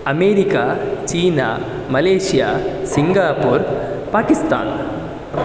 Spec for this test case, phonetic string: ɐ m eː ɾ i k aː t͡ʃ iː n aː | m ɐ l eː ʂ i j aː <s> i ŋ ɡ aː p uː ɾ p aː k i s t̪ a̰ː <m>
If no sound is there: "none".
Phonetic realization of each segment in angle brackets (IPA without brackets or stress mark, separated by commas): s, n